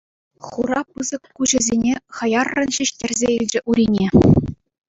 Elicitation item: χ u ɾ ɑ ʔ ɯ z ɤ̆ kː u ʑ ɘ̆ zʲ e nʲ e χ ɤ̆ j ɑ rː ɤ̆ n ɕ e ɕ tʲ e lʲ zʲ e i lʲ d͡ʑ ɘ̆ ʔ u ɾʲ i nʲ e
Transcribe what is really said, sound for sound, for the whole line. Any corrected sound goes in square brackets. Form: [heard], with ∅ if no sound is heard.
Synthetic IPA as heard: χ u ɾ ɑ [p] ɯ z ɤ̆ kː u ʑ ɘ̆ zʲ e nʲ e χ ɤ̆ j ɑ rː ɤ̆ n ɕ [i] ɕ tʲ e [rʲ] zʲ e i lʲ d͡ʑ ɘ̆ ʔ u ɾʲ i nʲ e